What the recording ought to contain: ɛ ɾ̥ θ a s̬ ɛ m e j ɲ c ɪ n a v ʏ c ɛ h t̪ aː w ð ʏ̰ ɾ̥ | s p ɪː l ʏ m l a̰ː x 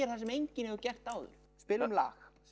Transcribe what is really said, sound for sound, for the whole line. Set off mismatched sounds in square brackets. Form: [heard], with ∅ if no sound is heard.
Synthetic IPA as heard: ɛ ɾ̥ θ a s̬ ɛ m e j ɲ c ɪ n [ɛ] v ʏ c ɛ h t̪ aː w ð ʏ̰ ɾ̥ | s p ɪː l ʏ m l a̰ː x